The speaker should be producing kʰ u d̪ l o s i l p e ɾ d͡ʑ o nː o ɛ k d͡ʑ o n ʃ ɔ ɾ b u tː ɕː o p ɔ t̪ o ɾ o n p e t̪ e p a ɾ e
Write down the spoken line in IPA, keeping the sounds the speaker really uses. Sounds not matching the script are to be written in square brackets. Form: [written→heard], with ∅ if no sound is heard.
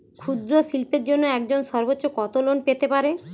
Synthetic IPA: kʰ u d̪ [l→ɾ] o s i l p e ɾ d͡ʑ o nː o ɛ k d͡ʑ o n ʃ ɔ ɾ b [u→o] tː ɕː o [p→k] ɔ t̪ o [ɾ→l] o n p e t̪ e p a ɾ e